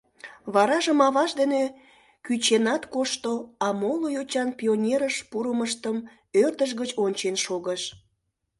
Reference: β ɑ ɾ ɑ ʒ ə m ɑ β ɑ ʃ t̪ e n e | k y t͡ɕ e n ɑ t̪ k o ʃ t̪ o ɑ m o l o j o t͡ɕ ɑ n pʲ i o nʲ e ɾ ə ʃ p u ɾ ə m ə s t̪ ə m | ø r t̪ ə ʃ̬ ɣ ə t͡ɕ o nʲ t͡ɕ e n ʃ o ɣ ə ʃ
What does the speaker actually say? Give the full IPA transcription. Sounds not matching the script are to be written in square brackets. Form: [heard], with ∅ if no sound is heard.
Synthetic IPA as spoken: β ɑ ɾ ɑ ʒ ə m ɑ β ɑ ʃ [d̪] e n e | k y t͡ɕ e n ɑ t̪ k o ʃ t̪ o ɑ m o l o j o t͡ɕ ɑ n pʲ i o nʲ e ɾ ə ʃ p u ɾ ə m ə [ʃ] t̪ ə m | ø r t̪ ə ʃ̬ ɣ ə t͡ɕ o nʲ t͡ɕ e n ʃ o ɣ ə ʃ